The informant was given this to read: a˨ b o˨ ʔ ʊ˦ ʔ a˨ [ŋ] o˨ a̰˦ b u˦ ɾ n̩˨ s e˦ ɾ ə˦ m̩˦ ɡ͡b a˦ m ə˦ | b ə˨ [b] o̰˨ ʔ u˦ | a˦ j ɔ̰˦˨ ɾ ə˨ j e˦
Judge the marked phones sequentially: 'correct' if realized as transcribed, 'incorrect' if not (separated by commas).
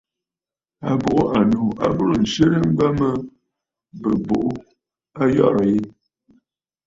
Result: incorrect, correct